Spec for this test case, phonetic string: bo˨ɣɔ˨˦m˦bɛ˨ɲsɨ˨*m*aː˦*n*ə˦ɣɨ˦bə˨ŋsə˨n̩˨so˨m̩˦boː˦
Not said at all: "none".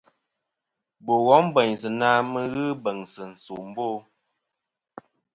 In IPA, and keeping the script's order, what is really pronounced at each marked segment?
n, m

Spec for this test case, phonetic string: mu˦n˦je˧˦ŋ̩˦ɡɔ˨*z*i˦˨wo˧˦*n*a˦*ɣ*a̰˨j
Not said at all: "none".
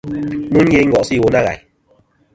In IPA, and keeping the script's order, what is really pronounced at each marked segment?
s, n, ɣ

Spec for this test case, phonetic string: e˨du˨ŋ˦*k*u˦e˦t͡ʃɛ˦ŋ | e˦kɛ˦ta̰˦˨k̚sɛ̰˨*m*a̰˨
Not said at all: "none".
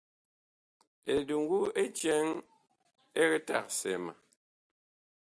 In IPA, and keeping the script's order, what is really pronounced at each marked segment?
ɡ, m

